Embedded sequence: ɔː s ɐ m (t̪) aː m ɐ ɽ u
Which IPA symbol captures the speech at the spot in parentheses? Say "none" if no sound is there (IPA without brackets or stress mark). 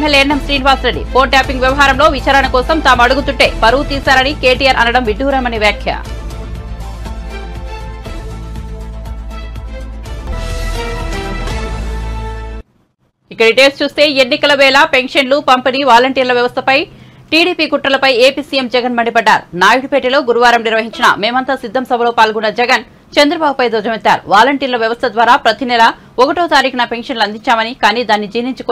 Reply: t̪